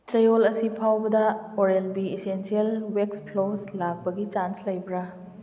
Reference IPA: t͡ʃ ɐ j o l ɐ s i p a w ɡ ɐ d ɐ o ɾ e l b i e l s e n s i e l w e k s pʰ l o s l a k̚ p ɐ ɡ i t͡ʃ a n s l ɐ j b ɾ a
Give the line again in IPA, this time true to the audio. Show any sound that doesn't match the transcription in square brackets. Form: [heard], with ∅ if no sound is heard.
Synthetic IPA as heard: t͡ʃ ɐ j o l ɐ s i [pʰ] a w [b] ɐ d ɐ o ɾ e l b i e [∅] s e n s i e l w e k s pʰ l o s l a k̚ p ɐ ɡ i t͡ʃ a n s l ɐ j b ɾ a